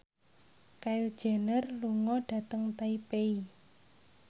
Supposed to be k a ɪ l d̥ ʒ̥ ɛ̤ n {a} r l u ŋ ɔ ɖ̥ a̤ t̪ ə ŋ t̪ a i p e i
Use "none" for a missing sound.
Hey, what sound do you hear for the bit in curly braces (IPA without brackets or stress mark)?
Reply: ə